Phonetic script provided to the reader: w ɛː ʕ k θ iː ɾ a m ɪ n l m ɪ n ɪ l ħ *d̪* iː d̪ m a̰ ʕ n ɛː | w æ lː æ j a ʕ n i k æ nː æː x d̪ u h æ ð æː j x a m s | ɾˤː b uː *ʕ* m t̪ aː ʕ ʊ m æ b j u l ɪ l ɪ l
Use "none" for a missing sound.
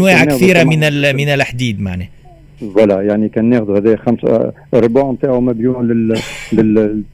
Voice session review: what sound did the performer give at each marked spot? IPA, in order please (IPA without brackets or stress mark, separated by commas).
d̪, ʕ